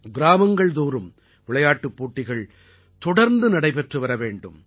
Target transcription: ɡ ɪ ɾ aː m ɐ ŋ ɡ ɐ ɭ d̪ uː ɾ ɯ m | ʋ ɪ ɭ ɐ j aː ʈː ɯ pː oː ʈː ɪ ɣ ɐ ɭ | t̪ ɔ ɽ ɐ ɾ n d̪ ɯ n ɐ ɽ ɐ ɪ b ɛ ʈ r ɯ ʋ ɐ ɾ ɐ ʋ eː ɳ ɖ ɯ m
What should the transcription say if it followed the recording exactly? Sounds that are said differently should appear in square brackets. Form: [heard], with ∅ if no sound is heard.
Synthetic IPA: ɡ ɪ ɾ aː m ɐ ŋ ɡ ɐ ɭ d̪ uː ɾ ɯ m | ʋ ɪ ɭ ɐ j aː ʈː ɯ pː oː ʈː ɪ ɣ ɐ ɭ | t̪ ɔ ɽ ɐ ɾ n d̪ ɯ n ɐ ɽ ɐ ɪ [p] ɛ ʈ r ɯ ʋ ɐ ɾ ɐ ʋ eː ɳ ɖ ɯ m